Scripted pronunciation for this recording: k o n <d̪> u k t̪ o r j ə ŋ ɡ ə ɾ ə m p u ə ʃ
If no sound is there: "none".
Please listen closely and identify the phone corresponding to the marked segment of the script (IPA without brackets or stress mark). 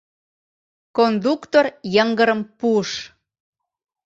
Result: d̪